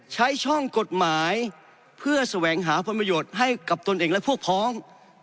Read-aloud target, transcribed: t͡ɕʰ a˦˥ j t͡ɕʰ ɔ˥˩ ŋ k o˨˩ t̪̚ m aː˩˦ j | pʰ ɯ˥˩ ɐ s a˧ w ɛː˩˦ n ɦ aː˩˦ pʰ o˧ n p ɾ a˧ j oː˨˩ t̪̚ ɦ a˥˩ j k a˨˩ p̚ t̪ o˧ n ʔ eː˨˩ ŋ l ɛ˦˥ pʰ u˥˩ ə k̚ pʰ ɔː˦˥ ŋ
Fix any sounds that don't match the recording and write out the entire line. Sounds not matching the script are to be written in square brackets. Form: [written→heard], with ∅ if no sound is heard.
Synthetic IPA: t͡ɕʰ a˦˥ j t͡ɕʰ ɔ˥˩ ŋ k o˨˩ t̪̚ m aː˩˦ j | pʰ ɯ˥˩ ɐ s a˧ w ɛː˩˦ [n→ŋ] ɦ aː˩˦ pʰ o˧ n p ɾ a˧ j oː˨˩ t̪̚ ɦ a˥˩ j k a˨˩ p̚ t̪ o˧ n ʔ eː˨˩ ŋ l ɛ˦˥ pʰ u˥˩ ə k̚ pʰ ɔː˦˥ ŋ